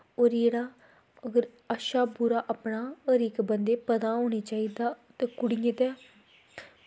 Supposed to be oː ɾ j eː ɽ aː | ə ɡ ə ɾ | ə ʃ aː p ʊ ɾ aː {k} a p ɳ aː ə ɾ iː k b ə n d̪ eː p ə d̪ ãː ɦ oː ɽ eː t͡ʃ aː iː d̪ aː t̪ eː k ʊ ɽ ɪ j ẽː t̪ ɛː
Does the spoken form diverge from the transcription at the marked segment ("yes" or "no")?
yes